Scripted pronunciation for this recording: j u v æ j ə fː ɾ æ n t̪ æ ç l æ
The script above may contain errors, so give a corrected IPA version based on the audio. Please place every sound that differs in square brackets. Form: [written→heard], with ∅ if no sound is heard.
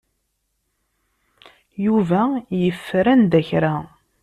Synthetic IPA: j u v æ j ə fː ɾ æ n [t̪→d̪] æ ç [l→ɾ] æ